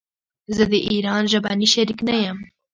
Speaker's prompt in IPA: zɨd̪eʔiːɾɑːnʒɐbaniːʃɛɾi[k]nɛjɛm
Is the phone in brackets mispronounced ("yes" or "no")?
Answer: no